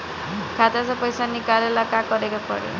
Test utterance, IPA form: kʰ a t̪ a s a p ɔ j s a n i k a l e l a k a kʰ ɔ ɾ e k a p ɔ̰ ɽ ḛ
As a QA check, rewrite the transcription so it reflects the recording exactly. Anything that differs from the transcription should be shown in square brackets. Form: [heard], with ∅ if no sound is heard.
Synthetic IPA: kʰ a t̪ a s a p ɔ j s a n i k a l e l a k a [k] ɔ ɾ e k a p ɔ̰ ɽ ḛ